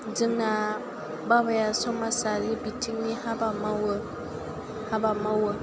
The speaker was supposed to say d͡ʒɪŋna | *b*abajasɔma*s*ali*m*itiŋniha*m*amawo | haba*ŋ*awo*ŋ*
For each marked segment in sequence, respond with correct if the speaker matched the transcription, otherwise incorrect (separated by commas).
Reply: correct, correct, incorrect, incorrect, incorrect, incorrect